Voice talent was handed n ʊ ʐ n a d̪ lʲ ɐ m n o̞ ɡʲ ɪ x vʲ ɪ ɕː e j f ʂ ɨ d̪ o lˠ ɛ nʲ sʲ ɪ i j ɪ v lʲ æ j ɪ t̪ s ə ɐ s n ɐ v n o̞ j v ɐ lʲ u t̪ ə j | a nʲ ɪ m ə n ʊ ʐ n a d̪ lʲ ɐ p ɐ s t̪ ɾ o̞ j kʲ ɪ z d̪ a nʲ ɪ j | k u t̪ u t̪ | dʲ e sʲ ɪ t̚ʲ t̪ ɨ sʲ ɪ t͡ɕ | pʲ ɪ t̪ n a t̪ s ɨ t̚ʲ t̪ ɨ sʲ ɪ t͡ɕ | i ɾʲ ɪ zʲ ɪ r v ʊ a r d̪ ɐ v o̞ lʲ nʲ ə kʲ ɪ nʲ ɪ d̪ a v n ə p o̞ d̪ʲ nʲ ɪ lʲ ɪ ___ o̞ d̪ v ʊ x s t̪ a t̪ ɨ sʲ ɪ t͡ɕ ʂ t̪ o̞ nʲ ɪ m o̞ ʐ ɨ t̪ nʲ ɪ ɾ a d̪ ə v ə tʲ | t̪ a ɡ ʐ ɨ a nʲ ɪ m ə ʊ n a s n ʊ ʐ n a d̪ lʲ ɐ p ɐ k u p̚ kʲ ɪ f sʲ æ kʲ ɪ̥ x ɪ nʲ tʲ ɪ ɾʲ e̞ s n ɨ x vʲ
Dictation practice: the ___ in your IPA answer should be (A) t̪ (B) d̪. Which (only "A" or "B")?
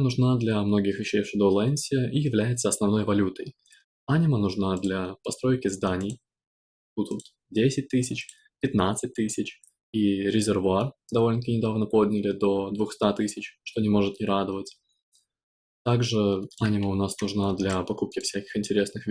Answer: B